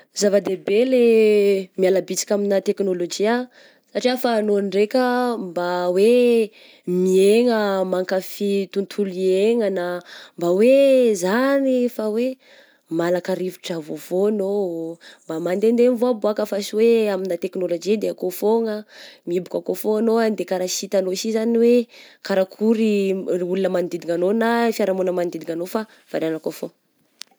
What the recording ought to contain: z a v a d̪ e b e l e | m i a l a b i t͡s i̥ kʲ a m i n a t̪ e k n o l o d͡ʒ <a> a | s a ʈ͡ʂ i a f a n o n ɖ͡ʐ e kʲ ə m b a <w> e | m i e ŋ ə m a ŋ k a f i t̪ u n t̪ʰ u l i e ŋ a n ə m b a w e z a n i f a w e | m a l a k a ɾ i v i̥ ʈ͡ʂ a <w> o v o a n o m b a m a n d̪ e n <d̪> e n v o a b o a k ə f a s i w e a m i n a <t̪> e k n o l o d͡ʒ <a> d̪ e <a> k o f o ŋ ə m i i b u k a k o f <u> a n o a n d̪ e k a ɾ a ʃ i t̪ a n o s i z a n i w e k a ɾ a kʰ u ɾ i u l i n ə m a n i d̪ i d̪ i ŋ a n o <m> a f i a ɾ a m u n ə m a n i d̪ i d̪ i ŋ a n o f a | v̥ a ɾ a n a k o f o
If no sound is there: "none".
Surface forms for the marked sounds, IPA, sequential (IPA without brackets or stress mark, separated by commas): i, w, v, d̪, t̪, i, a, o, n